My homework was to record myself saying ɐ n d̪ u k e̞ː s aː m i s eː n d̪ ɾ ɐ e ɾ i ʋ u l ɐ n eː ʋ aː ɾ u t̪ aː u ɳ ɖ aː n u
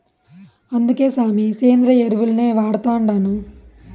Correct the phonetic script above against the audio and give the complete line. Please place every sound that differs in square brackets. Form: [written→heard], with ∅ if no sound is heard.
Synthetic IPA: ɐ n d̪ u k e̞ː s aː m i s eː n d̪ ɾ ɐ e ɾ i ʋ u l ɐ n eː ʋ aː [ɾ→ɽ] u t̪ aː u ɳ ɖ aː n u